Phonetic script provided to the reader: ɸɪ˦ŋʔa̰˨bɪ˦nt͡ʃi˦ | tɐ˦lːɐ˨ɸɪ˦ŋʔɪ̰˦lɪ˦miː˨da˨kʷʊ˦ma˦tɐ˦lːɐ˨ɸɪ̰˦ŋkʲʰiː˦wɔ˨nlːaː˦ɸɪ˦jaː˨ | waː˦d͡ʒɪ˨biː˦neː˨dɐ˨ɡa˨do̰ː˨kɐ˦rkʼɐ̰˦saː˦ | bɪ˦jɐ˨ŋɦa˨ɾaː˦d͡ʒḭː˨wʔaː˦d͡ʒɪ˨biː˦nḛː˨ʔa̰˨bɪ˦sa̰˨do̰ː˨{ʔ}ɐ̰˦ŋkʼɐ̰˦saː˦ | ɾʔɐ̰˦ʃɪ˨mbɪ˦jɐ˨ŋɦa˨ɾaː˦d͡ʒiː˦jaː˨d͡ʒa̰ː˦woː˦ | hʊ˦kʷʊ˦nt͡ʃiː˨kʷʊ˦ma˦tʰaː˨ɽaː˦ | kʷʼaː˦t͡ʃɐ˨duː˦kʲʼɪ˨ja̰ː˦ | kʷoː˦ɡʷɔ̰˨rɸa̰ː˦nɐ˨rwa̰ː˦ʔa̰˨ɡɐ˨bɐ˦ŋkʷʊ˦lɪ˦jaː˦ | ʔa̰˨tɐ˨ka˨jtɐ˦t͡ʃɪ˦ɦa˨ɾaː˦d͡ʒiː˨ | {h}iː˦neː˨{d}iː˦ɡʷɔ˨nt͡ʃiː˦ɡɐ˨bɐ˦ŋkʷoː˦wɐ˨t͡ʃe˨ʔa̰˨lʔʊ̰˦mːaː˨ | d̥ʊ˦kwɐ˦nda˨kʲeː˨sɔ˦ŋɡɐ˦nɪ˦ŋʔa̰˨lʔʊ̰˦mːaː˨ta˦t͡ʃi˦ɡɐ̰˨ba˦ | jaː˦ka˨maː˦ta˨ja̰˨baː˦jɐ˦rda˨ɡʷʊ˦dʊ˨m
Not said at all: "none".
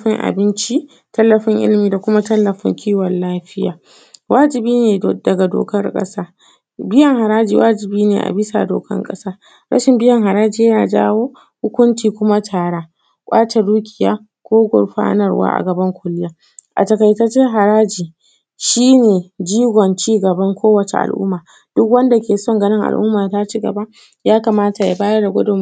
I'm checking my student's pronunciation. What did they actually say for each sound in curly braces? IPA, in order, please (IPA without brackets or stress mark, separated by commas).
k, ʃ, d͡ʒ